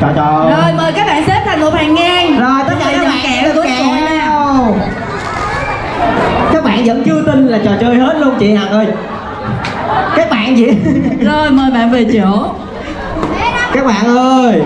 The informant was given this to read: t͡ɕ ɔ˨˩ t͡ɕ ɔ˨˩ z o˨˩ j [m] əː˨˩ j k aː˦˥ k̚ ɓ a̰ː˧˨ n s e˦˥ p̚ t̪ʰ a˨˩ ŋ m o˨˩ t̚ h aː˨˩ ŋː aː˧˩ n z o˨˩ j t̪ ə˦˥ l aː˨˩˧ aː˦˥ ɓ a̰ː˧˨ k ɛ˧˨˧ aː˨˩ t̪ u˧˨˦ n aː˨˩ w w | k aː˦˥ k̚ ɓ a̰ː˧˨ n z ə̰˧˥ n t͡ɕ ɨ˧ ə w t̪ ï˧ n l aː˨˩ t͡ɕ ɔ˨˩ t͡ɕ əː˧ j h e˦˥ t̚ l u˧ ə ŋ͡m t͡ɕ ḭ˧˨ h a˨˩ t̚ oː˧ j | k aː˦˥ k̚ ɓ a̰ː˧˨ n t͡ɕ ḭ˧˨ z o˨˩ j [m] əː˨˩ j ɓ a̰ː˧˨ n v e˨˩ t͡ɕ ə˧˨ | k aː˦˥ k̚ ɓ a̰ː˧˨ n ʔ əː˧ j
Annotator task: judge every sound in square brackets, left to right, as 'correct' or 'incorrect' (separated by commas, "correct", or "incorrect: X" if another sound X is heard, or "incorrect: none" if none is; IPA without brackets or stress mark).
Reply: correct, correct